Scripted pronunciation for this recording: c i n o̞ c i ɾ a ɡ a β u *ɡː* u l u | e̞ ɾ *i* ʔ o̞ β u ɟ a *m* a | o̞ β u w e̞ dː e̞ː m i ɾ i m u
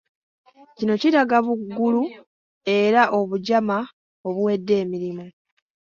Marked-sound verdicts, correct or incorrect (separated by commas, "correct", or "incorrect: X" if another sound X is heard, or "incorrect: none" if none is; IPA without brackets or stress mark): correct, incorrect: a, correct